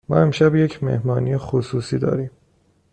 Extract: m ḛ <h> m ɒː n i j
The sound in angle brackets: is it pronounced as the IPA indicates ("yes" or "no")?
yes